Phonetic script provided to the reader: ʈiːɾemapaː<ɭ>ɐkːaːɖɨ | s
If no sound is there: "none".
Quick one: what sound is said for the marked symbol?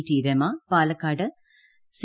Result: l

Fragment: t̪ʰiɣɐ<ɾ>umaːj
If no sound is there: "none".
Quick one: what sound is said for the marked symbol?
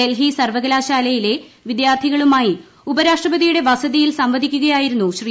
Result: ɭ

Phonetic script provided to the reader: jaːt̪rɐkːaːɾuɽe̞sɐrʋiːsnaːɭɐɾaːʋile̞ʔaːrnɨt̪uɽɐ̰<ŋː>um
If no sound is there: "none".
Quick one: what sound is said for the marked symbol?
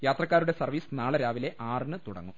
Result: ŋː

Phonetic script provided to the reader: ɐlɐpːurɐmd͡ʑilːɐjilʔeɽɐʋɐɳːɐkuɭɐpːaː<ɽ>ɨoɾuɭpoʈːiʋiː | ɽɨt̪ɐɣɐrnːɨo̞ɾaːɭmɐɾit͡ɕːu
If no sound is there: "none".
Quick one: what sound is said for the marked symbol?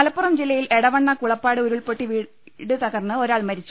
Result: ɽ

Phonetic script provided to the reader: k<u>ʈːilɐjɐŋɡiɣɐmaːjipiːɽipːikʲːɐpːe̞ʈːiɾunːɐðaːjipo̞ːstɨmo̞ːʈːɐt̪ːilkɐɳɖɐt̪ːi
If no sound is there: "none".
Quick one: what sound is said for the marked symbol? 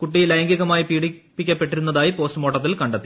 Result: u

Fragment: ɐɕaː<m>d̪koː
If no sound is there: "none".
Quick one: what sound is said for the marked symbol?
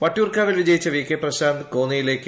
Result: n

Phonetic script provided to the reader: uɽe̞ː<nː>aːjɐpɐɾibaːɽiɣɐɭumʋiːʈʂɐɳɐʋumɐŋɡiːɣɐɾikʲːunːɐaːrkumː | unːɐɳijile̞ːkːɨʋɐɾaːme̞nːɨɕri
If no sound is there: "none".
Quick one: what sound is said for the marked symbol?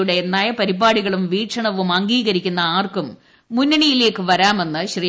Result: nː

